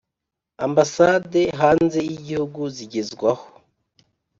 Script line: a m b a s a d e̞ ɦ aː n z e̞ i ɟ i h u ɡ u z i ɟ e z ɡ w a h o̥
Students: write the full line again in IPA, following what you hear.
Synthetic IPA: a m b a s a d e̞ ɦ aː n z e̞ i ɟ i h u ɡ u z i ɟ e z ɡ w a h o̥

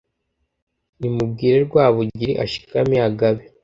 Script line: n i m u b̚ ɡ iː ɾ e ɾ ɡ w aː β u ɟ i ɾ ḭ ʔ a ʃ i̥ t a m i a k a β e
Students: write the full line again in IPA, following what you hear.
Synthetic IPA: n i m u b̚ ɡ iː ɾ e ɾ ɡ w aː β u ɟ i ɾ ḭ ʔ a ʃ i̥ k a m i a ɡ a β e

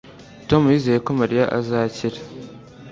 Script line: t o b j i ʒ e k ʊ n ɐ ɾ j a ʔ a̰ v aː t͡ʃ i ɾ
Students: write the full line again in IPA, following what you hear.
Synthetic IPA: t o m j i z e k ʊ m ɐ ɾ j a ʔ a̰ z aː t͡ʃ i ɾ

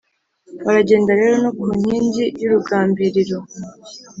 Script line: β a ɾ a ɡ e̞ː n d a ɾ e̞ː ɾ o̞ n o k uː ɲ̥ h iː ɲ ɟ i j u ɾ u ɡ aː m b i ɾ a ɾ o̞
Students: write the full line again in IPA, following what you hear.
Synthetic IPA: β a ɾ a ɟ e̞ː n d a ɾ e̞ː ɾ o̞ n o k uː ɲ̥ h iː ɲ ɟ i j u ɾ u ɡ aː m b i ɾ i ɾ o̞

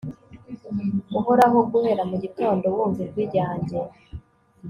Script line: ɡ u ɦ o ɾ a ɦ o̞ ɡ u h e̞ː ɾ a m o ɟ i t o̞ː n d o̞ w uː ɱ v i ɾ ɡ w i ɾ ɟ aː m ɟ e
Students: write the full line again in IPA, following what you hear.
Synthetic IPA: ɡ u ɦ o ɾ a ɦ o̞ ɡ u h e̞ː ɾ a m u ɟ i t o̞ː n d o̞ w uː ɱ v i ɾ ɡ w i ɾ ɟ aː ɲ ɟ e

